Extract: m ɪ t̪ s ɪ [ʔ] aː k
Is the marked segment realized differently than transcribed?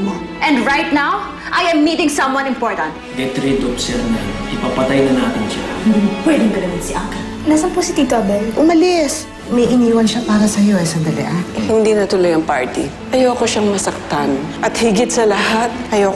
no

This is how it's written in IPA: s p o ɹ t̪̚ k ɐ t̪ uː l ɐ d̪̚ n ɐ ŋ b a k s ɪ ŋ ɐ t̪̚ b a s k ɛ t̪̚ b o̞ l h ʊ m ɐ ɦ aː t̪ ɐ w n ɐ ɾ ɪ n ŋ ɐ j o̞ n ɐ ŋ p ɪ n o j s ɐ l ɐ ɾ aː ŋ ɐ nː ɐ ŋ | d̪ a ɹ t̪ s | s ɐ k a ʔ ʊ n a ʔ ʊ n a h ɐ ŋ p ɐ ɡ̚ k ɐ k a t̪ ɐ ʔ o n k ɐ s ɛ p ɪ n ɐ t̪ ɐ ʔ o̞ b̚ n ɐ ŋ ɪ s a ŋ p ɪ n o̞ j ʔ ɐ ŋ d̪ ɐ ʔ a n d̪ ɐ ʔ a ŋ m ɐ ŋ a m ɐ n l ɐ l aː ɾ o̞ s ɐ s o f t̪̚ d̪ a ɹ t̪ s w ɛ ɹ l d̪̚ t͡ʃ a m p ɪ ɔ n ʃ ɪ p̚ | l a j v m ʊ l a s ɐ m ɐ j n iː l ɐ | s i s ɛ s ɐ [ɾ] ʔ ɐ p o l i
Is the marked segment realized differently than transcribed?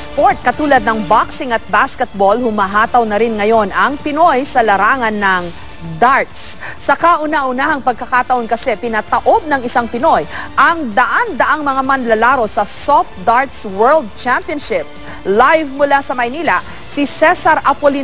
no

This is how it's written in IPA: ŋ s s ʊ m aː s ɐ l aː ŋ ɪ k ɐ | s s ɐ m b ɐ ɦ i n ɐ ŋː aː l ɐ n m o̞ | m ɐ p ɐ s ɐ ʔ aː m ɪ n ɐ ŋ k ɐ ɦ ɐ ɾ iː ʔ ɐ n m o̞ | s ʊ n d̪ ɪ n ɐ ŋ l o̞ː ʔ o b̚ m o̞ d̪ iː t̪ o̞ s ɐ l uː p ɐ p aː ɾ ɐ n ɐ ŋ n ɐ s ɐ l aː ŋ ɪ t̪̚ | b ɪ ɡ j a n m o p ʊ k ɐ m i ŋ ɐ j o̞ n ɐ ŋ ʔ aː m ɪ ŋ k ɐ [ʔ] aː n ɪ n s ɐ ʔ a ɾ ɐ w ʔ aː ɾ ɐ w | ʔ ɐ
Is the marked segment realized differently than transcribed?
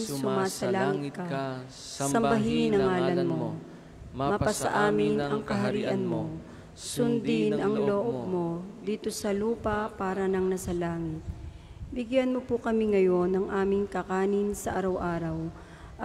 yes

